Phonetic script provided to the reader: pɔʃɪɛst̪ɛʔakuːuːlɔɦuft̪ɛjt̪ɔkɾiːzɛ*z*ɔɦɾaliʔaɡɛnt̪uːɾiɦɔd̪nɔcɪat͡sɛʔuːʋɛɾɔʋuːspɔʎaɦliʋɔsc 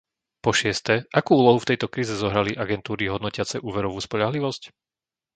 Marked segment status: correct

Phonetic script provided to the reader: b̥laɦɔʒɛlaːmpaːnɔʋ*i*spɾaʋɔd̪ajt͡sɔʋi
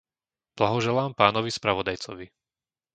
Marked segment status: correct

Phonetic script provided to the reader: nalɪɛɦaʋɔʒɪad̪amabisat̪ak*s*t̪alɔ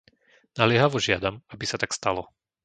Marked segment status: correct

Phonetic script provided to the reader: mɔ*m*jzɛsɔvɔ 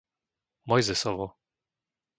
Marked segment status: incorrect: none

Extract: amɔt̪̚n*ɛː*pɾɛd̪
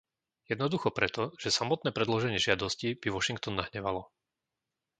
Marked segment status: correct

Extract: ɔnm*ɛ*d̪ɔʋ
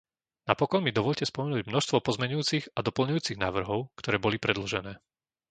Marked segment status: incorrect: i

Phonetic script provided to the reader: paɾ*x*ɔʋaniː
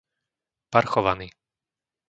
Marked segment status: correct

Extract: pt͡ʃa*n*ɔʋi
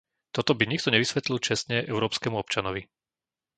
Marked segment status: correct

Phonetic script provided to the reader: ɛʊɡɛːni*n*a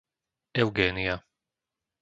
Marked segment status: incorrect: none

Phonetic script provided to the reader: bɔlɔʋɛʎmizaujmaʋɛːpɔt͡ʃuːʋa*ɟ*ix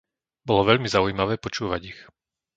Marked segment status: correct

